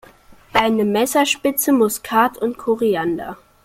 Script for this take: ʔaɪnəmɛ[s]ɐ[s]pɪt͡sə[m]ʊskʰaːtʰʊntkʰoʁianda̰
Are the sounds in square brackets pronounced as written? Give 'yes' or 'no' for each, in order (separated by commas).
yes, no, yes